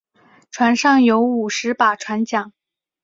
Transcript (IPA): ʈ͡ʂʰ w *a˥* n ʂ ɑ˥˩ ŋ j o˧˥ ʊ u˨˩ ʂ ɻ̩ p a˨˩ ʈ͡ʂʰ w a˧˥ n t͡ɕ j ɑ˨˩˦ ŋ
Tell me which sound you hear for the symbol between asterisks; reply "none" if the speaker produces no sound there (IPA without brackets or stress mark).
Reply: a˧˥